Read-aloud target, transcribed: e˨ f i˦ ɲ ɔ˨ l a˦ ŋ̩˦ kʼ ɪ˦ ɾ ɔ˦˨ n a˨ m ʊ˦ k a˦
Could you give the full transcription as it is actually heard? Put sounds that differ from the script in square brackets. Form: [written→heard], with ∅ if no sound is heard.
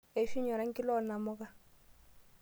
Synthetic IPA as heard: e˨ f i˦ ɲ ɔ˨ [l→ɾ] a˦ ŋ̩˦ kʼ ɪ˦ [ɾ→l] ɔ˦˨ n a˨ m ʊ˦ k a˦

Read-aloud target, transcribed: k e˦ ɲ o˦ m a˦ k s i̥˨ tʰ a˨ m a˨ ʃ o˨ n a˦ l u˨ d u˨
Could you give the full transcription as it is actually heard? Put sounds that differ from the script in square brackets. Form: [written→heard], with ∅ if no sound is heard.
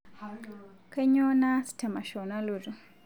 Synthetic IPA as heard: k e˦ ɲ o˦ [m→n] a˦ [k→∅] s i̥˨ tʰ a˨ m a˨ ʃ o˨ n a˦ l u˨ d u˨

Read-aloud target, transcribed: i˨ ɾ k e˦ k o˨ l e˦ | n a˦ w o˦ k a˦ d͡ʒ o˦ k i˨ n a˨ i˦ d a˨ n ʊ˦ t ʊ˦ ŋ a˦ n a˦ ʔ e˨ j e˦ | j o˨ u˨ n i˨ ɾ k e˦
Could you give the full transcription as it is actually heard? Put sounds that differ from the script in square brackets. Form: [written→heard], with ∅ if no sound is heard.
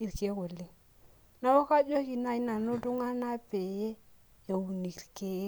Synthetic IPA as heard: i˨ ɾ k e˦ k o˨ l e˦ | n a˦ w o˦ k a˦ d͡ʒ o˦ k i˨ n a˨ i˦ [d→n] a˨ n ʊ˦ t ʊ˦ ŋ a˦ n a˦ [ʔ→p] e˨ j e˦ | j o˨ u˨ n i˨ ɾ k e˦

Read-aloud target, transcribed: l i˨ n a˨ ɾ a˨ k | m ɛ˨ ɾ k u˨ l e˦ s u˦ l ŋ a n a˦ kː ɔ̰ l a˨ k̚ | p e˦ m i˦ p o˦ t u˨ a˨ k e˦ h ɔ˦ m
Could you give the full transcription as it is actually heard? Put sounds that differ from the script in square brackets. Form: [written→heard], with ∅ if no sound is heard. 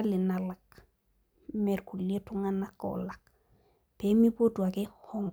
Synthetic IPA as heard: l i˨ n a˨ [ɾ→l] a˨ k | m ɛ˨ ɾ k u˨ l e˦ [s→t] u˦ [l→∅] ŋ a n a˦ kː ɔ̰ l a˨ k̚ | p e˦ m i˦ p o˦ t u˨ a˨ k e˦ h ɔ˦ [m→ŋ]

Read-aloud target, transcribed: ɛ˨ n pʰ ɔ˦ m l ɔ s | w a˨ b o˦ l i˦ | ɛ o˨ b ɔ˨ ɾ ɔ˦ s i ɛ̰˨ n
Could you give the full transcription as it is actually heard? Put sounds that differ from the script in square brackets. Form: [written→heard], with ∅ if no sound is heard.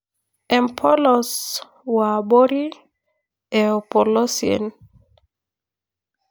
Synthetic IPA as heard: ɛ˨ [n→m] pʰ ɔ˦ [m→∅] l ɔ s | w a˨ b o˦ [l→ɾ] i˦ | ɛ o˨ [b→p] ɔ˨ [ɾ→l] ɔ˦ s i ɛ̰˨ n

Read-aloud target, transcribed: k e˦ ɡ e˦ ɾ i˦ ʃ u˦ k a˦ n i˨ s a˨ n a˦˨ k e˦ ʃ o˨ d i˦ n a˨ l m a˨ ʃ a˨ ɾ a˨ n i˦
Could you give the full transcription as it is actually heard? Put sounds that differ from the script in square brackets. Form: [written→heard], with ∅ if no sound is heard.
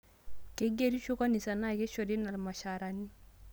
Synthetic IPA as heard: k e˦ ɡ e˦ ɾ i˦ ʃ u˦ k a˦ n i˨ s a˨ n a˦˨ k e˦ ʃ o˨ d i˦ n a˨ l m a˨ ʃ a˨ ɾ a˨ n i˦

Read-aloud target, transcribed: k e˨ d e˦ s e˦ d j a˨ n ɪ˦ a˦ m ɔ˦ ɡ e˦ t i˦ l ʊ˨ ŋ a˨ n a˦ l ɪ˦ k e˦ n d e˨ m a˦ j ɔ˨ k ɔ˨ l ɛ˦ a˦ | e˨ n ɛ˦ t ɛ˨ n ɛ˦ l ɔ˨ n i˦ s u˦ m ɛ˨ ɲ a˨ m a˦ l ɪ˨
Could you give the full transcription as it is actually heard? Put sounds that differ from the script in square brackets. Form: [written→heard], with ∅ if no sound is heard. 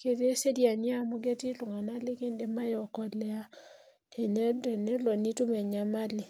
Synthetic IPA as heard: k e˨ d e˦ s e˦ d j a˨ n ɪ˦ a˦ m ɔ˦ ɡ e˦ t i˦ l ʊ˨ ŋ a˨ n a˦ l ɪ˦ k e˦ n d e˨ m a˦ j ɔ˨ k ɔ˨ l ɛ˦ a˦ | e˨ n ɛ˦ [t→d] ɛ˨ n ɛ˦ l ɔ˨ n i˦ [s→t] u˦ m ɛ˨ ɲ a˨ m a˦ l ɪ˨

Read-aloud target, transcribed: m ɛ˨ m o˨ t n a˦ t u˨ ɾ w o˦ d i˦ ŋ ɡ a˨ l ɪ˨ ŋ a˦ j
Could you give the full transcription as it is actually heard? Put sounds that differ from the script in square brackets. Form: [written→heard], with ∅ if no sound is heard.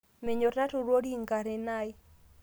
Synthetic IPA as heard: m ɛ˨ [m→ɲ] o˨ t n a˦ t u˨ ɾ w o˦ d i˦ ŋ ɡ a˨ [l→ɾ] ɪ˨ [ŋ→n] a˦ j

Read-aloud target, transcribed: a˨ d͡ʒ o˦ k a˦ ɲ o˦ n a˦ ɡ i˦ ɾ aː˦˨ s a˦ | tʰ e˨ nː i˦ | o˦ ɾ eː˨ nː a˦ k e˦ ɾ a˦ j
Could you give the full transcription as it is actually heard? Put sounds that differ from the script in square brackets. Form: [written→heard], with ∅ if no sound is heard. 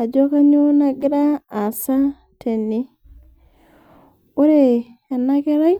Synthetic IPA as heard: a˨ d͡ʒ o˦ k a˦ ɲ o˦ n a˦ ɡ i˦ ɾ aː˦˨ s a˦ | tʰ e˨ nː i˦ | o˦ ɾ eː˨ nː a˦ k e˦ ɾ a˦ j

